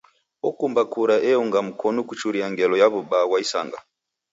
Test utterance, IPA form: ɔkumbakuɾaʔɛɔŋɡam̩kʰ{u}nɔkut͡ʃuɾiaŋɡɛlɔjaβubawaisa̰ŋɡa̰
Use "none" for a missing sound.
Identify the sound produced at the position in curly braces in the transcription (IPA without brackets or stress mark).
ɔ